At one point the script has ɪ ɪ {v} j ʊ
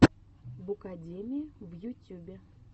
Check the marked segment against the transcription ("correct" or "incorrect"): correct